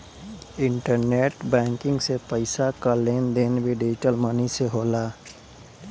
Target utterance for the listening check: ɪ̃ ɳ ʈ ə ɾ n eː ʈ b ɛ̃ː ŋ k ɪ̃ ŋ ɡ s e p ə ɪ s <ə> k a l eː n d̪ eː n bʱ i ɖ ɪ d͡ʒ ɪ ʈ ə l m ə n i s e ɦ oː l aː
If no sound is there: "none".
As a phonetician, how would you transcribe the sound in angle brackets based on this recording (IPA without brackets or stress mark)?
a